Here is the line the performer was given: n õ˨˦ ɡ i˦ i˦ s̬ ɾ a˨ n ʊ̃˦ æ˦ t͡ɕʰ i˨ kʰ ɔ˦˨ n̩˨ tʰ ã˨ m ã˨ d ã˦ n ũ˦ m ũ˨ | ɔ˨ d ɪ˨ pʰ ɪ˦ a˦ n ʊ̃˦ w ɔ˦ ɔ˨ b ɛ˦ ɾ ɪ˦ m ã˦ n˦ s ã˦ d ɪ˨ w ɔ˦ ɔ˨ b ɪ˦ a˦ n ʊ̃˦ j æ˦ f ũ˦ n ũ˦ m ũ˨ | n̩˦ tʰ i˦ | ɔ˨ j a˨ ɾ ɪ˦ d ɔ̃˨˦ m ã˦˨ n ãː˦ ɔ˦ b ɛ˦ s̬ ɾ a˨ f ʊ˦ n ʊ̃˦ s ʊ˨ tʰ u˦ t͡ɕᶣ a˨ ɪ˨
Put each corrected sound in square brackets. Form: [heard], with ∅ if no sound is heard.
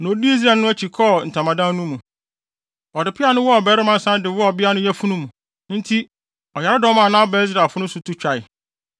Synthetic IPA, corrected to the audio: n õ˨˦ [d] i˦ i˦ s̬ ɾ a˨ n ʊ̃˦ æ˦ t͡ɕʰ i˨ kʰ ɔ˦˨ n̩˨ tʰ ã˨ m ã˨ d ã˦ n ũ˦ m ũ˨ | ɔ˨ d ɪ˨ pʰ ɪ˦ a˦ n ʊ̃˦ w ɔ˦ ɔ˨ b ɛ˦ ɾ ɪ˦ m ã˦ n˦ s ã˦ d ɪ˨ w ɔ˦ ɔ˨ b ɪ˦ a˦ n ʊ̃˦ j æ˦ f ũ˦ n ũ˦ m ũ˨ | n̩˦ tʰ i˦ | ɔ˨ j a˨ ɾ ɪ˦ d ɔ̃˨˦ m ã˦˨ n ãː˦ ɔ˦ b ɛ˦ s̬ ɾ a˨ f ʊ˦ n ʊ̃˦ s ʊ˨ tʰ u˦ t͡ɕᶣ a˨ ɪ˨